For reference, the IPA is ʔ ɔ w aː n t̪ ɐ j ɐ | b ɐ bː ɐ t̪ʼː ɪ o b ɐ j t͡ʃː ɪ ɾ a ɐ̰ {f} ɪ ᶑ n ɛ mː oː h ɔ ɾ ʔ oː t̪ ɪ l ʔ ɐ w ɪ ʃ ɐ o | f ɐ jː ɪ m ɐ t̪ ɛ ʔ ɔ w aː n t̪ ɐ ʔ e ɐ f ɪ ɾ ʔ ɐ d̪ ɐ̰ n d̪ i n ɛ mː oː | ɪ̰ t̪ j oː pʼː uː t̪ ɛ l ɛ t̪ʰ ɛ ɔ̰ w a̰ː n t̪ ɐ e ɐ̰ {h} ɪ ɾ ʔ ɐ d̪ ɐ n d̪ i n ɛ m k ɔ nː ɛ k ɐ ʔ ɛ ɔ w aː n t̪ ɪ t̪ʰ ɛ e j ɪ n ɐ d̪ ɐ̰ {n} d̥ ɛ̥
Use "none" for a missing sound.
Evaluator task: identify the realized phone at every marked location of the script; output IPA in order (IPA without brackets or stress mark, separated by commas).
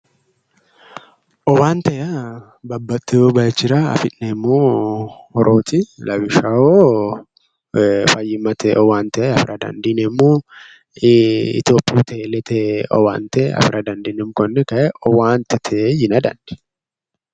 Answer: f, f, n